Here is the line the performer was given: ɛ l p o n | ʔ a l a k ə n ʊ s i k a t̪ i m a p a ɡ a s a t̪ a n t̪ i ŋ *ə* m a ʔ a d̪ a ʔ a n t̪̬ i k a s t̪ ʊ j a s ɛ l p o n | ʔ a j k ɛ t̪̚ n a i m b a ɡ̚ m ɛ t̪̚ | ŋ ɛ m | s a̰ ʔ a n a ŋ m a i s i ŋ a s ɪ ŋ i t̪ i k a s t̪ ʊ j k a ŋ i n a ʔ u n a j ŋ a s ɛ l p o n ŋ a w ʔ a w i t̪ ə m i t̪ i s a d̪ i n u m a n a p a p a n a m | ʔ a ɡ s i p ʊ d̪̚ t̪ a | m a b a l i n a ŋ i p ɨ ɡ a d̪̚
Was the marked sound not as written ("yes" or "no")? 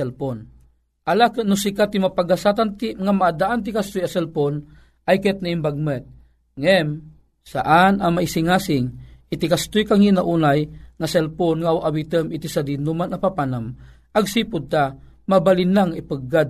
yes